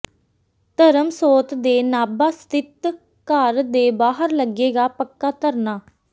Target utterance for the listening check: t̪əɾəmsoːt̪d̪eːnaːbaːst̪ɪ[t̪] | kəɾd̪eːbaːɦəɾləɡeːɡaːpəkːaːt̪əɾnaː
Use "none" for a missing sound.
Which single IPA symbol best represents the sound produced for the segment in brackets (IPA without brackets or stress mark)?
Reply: t̪